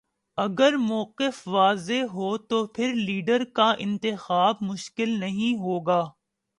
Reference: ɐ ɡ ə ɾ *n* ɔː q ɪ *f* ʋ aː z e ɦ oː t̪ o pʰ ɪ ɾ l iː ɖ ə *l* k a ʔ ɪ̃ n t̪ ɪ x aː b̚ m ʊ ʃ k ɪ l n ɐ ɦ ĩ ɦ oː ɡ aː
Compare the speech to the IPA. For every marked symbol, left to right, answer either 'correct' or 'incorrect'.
incorrect: m, correct, incorrect: ɾ

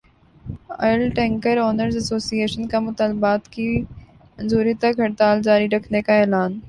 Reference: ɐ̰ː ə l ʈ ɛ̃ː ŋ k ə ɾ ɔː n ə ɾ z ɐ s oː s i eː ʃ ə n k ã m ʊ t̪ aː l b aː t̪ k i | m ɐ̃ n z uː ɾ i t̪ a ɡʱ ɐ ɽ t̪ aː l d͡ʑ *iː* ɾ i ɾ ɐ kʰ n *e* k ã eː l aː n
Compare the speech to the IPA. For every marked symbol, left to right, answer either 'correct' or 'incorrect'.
incorrect: aː, correct

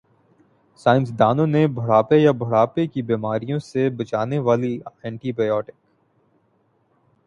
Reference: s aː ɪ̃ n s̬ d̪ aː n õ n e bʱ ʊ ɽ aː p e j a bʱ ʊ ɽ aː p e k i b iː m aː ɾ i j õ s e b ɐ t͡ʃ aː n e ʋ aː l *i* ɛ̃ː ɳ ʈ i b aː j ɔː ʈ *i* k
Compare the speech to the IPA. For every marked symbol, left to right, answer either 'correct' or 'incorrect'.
correct, incorrect: ɪ

